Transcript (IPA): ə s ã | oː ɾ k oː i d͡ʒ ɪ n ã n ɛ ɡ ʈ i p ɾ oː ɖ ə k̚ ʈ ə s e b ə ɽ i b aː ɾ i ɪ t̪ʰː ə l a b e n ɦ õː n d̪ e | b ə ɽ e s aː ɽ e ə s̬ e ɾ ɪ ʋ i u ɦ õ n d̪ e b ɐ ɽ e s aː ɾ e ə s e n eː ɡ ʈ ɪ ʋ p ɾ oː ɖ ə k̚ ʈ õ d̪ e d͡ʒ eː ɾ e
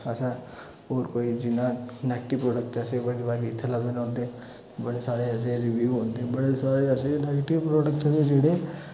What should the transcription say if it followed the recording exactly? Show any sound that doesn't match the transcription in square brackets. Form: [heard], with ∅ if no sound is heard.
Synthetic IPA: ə s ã | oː ɾ k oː i d͡ʒ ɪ n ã n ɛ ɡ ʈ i p ɾ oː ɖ ə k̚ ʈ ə s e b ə ɽ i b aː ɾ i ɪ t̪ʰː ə l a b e n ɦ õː n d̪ e | b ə ɽ e s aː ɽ e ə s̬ e ɾ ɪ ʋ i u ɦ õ n d̪ e b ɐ ɽ e s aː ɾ e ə s e n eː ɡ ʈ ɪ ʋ p ɾ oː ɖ ə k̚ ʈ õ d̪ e d͡ʒ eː [ɽ] e